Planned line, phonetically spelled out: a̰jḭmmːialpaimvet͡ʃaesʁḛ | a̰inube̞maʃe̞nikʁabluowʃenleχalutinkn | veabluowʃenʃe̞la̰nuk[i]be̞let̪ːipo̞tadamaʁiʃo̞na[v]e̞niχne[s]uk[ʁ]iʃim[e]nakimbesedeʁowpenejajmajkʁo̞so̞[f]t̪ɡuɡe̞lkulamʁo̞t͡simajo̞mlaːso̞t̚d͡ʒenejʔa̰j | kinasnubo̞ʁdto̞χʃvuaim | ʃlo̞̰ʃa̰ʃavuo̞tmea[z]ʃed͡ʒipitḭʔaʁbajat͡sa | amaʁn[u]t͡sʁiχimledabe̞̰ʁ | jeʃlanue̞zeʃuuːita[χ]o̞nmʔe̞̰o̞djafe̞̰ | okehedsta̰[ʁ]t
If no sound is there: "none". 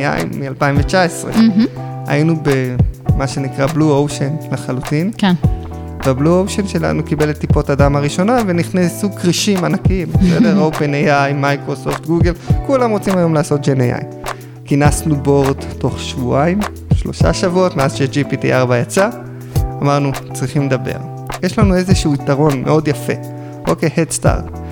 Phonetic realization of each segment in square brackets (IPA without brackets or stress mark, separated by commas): i, v, s, ʁ, a, f, z, u, ʁ, ʁ